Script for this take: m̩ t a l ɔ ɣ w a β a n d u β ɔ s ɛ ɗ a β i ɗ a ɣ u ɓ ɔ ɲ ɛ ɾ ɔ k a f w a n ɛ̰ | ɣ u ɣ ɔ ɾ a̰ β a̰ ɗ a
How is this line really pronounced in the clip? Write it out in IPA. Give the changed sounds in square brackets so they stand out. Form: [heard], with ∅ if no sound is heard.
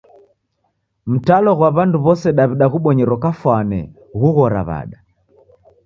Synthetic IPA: m̩ t a l ɔ ɣ w a β a n d u β ɔ s ɛ ɗ a β i ɗ a ɣ u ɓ ɔ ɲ ɛ ɾ ɔ k a f w a n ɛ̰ | ɣ u ɣ ɔ ɾ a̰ β a̰ ɗ a